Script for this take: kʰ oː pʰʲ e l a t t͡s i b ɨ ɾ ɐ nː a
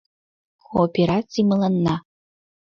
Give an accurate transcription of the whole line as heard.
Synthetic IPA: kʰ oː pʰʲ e ɾ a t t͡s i m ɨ l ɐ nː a

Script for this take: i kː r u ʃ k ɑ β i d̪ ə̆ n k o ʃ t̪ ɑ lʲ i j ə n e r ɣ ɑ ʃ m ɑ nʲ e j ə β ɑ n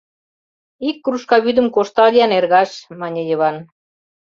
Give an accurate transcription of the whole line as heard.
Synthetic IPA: i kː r u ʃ k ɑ β y d̪ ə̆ m k o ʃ t̪ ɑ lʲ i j ɑ n e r ɣ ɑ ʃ m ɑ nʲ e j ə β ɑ n

